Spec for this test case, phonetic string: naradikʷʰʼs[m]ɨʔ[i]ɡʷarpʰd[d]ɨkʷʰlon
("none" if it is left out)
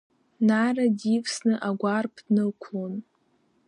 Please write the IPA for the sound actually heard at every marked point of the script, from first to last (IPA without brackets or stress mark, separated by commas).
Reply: n, a, n